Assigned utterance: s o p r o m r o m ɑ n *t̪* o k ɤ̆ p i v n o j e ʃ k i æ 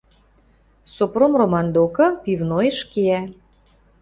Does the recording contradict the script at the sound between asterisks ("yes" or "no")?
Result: yes